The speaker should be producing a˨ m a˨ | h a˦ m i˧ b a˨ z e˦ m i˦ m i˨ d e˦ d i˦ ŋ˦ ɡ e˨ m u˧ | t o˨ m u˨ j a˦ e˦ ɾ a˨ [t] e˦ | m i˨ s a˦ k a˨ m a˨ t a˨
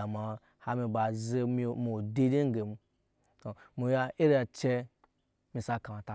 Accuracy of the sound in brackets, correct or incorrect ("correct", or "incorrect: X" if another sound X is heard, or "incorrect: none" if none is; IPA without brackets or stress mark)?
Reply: incorrect: t͡ʃ